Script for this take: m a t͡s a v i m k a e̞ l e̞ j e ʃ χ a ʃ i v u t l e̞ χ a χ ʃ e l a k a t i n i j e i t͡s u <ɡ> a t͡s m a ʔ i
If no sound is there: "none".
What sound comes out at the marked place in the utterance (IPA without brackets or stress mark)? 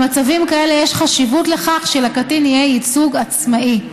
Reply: ɡ